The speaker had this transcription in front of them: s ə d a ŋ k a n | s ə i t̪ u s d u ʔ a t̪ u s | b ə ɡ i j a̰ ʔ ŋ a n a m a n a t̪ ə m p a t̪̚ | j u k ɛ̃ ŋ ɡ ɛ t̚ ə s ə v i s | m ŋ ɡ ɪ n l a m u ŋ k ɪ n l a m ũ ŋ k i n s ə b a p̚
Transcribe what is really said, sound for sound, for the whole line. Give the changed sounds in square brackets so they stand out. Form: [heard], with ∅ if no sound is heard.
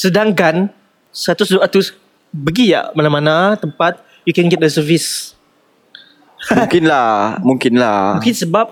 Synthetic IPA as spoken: s ə d a ŋ k a n | s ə [a] t̪ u s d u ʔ a t̪ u s | b ə ɡ i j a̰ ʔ [m] a n a m a n a t̪ ə m p a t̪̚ | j u k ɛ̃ [n] ɡ ɛ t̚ ə s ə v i s | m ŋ [k] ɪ n l a m u ŋ k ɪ n l a m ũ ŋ k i n s ə b a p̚